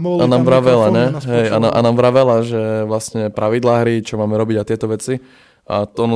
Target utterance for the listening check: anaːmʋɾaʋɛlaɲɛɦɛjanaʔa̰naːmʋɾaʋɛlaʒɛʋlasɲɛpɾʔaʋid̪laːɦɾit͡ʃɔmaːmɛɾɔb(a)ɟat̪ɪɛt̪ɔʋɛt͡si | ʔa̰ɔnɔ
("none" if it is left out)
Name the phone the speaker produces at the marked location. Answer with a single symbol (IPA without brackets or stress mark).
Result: i